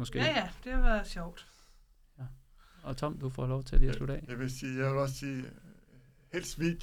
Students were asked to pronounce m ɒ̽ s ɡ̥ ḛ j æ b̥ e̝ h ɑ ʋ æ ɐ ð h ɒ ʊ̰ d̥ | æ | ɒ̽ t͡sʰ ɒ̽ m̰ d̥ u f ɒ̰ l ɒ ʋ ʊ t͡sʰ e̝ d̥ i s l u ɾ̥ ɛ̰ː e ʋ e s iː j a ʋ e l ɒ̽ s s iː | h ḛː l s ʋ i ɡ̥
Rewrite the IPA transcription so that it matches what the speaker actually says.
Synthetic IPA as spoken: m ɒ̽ s ɡ̥ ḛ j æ d̥ e̝ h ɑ ʋ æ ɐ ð ɕ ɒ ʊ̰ d̥ | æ | ɒ̽ t͡sʰ ɒ̽ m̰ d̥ u f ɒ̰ l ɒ ʊ t͡sʰ e̝ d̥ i s l u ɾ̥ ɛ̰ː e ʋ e s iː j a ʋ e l ɒ̽ s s iː | h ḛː l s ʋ i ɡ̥